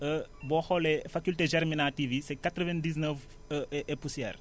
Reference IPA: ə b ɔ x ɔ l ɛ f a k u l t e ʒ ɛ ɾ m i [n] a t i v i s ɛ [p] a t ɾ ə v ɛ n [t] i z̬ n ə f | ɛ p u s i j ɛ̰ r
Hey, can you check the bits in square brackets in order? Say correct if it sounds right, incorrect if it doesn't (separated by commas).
correct, incorrect, incorrect